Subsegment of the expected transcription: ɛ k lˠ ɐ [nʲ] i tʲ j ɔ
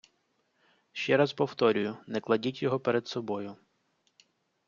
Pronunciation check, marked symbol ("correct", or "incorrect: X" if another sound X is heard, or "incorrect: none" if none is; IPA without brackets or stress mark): incorrect: dʲ